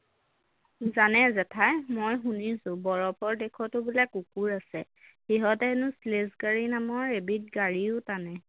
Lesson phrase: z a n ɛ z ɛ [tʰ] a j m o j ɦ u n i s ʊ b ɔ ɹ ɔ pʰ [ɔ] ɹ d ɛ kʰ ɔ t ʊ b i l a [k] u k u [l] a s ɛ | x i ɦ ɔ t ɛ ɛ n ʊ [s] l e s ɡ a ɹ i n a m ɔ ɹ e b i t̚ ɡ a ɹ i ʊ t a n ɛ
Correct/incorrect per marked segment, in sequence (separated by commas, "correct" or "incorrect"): correct, correct, correct, incorrect, correct